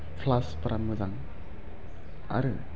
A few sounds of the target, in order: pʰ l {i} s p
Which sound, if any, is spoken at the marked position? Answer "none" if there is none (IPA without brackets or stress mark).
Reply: a